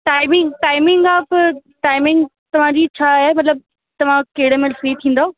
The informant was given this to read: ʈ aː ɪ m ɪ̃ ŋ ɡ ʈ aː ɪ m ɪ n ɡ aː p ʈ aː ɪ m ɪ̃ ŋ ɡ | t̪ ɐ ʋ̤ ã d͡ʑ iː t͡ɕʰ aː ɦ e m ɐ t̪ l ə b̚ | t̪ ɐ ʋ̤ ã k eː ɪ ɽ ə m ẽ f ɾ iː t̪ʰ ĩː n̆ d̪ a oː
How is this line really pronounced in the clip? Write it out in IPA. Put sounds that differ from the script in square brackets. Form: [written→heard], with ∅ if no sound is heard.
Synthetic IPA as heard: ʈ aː ɪ m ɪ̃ ŋ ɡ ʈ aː ɪ m ɪ [n→ŋ] ɡ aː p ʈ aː ɪ m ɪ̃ ŋ ɡ | t̪ ɐ ʋ̤ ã d͡ʑ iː t͡ɕʰ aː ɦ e m ɐ t̪ l ə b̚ | t̪ ɐ ʋ̤ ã k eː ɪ ɽ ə m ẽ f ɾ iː t̪ʰ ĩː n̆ d̪ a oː

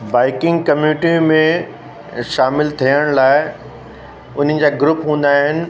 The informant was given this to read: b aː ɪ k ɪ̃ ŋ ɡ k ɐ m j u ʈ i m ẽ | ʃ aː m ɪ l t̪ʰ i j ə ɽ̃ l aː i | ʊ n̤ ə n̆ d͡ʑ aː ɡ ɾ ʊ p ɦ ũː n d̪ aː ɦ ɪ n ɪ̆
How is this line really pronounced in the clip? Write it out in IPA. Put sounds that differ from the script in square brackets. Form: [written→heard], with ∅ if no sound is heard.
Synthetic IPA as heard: b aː ɪ k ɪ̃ ŋ ɡ k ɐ m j u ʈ i m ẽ | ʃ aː m ɪ l t̪ʰ i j ə ɽ̃ l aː [i→ɪ] | ʊ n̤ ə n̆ d͡ʑ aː ɡ ɾ ʊ p ɦ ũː n d̪ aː ɦ ɪ n ɪ̆

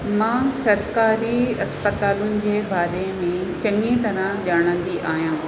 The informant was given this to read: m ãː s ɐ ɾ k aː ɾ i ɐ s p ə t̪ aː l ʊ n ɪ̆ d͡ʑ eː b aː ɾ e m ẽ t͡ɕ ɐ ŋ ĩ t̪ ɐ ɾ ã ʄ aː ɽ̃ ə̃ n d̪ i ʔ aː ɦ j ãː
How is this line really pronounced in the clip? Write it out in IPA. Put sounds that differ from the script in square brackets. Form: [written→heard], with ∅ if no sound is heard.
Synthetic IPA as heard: m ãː s ɐ ɾ k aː ɾ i ɐ s p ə t̪ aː l ʊ n ɪ̆ d͡ʑ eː b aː ɾ e m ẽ t͡ɕ ɐ ŋ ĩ t̪ ɐ ɾ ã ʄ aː ɽ̃ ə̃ n d̪ i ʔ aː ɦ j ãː

